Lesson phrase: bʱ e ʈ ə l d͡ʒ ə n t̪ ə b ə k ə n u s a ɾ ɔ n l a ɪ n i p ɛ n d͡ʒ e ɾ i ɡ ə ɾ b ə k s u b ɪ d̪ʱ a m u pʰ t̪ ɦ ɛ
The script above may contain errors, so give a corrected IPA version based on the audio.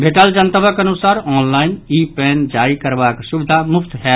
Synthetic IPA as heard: bʱ e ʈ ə l d͡ʒ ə n t̪ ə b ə k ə n u s a ɾ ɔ n l a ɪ n i p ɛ n d͡ʒ a ɾ i k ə ɾ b a k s u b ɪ d̪ʱ a m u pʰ t̪ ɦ ɛ